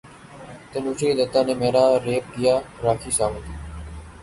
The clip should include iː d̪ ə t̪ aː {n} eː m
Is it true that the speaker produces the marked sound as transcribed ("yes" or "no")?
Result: yes